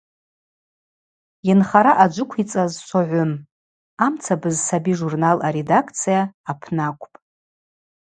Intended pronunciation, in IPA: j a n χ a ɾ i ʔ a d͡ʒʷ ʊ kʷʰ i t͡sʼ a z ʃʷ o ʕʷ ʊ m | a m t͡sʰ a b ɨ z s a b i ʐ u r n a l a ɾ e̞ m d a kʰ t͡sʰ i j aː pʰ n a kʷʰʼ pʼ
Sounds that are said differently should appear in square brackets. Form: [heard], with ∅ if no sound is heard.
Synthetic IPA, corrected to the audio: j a n χ a ɾ [a] ʔ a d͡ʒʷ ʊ kʷʰ i t͡sʼ a z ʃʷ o ʕʷ ʊ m | a m t͡sʰ a b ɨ z s a b i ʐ u r n a l a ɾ e̞ [∅] d a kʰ t͡sʰ i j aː pʰ n a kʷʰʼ pʼ

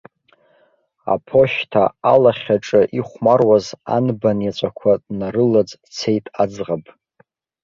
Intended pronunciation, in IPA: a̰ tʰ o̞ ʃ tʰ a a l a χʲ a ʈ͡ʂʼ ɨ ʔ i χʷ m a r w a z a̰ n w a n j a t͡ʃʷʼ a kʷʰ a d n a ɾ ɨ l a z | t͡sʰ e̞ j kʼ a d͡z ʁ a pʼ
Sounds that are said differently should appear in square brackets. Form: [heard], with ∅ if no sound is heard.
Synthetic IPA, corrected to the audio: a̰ [pʰ] o̞ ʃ tʰ a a l a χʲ a ʈ͡ʂʼ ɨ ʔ i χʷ m a r w a z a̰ n [b] a n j a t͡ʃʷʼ a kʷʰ a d n a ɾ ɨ l a [d͡z] | t͡sʰ e̞ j [tʼ] a d͡z ʁ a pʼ

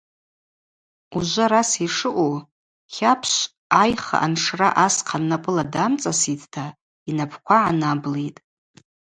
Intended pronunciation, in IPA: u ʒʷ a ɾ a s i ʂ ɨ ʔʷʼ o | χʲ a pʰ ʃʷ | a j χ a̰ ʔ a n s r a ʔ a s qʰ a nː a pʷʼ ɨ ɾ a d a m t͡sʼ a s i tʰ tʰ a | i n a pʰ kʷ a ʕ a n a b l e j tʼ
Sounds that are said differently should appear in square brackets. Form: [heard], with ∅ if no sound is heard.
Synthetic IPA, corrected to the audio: u ʒʷ a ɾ a s i ʂ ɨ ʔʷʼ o | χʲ a pʰ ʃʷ | a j χ a̰ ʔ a n [ʂ] r a ʔ a s qʰ a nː a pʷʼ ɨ [l] a d a m t͡sʼ a s i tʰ tʰ a | i n a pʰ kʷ a ʕ a n a b l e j tʼ

